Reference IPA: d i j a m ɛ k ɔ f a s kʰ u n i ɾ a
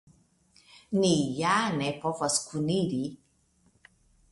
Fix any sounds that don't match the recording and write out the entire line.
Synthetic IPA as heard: n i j a n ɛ p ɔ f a s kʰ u n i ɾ i